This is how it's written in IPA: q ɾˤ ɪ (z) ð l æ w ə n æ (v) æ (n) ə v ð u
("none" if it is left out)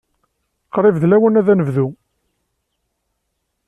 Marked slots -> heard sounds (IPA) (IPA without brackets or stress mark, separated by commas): v, ð, n